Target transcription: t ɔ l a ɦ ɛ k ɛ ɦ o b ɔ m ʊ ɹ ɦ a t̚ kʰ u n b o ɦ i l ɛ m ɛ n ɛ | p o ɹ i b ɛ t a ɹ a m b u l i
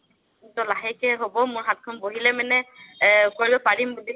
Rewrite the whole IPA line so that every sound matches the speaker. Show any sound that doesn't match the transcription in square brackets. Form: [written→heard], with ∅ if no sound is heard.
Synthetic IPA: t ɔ l a ɦ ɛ k ɛ ɦ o b ɔ m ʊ ɹ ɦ a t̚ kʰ [u→ɔ] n b o ɦ i l ɛ m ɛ n ɛ | [p→k] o ɹ i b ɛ [t→p] a ɹ [a→i] m b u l i